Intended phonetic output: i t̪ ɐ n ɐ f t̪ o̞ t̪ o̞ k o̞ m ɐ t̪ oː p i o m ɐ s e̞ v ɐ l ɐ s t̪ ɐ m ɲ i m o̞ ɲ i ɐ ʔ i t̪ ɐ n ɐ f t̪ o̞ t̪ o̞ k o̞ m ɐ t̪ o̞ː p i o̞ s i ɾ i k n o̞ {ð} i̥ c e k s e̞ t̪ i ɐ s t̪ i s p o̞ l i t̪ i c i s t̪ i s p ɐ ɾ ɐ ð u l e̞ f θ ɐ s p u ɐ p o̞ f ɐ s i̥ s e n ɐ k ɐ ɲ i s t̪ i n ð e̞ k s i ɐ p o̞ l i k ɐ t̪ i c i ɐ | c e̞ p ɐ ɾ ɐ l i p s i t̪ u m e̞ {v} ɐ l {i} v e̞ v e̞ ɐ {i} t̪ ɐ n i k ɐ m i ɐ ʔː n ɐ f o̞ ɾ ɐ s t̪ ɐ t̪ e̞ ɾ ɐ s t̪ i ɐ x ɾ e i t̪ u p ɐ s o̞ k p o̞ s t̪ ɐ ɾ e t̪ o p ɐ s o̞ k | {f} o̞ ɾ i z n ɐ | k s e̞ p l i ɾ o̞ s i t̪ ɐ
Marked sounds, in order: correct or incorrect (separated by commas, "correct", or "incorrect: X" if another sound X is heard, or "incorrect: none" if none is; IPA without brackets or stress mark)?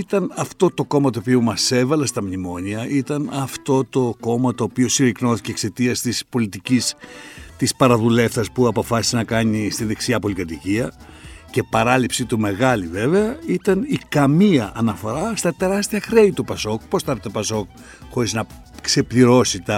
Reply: incorrect: θ, incorrect: ɣ, correct, correct, incorrect: x